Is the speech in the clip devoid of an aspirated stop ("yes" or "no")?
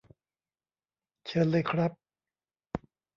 no